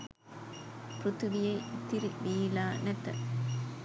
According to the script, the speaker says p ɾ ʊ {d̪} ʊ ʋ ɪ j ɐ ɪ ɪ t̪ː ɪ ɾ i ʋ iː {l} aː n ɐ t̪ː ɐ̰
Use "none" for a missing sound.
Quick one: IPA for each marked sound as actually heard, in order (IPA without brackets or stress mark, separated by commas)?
t̪, l